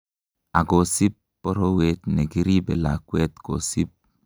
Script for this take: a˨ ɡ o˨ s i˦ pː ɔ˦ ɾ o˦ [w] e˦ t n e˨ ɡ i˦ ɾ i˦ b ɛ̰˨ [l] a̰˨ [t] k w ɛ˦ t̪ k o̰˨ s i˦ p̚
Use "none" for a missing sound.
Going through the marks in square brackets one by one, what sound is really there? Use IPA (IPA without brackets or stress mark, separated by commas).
w, l, none